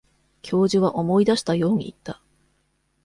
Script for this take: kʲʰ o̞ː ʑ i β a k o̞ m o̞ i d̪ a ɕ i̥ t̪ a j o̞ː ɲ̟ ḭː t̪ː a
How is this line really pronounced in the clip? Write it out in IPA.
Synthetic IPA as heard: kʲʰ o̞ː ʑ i β a ʔ o̞ m o̞ i d̪ a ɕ i̥ t̪ a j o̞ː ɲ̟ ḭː t̪ː a